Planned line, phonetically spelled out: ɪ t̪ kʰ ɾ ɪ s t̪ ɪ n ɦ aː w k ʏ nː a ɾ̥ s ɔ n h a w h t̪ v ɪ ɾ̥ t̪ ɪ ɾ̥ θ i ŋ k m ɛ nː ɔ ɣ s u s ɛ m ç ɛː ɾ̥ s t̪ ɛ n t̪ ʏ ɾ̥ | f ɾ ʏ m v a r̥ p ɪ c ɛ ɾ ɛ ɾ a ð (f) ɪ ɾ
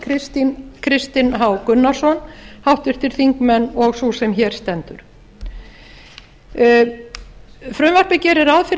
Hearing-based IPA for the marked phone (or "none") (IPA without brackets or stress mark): f